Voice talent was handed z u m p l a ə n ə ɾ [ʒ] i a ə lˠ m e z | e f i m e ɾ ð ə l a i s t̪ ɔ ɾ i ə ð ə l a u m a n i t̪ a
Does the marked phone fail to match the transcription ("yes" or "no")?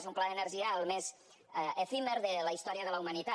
no